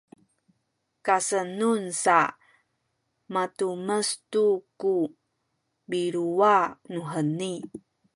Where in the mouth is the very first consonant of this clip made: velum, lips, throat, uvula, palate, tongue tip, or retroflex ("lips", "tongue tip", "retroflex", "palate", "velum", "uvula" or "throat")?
velum